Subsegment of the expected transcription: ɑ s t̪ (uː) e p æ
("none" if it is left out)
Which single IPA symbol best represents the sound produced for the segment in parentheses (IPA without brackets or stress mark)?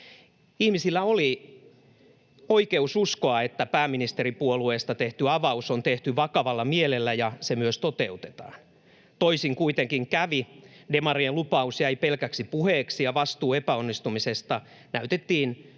uː